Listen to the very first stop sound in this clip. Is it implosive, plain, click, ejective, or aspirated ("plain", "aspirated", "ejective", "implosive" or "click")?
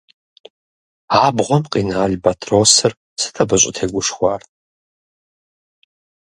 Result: plain